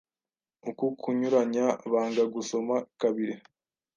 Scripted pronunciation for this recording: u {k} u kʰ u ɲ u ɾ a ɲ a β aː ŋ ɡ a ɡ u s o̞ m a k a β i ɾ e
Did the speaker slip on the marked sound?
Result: no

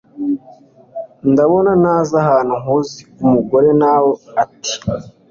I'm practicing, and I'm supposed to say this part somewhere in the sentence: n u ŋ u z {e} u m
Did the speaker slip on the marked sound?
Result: yes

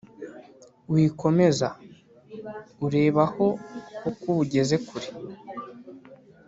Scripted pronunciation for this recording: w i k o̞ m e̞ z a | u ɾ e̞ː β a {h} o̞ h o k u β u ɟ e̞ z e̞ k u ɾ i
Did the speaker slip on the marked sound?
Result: no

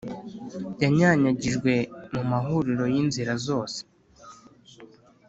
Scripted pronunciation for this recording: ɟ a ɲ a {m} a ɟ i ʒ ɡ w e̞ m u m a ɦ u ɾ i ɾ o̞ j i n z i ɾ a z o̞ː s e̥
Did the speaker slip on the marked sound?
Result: yes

